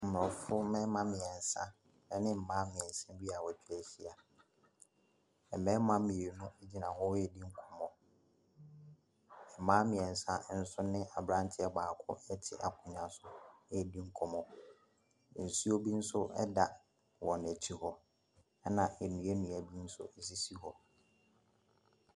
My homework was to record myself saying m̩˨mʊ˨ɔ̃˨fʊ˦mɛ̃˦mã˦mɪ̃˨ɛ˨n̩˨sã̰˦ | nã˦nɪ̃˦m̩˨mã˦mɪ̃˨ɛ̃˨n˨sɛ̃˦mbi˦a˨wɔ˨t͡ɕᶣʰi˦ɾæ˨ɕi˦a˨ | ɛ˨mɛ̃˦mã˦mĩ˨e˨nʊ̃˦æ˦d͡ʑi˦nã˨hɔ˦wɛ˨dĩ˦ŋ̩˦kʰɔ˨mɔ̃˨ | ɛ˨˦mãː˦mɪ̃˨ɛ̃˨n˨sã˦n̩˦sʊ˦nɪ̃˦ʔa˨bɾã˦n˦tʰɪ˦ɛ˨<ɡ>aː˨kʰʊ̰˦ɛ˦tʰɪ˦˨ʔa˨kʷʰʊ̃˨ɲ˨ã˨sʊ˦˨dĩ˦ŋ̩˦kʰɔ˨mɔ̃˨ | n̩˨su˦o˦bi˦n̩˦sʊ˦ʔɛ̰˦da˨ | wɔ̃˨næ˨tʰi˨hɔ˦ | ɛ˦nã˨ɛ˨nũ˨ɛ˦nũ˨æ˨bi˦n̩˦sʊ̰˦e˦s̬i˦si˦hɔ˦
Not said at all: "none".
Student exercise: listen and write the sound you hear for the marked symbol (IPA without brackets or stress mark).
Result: b